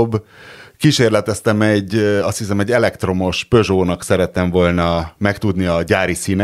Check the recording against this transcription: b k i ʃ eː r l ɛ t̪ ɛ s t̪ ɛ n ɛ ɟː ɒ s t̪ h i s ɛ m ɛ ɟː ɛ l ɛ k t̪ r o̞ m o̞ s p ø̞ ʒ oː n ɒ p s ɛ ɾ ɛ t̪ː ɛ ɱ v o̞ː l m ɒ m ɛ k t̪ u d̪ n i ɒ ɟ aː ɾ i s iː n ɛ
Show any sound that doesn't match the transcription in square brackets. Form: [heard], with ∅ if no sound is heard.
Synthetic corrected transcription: b k i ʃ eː r l ɛ t̪ ɛ s t̪ ɛ [m] ɛ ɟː ɒ s t̪ h i s ɛ m ɛ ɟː ɛ l ɛ k t̪ r o̞ m o̞ [ʃ] p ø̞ ʒ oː n ɒ [k] s ɛ ɾ ɛ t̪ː ɛ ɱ v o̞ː l [n] ɒ m ɛ k t̪ u d̪ n i ɒ ɟ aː ɾ i s iː n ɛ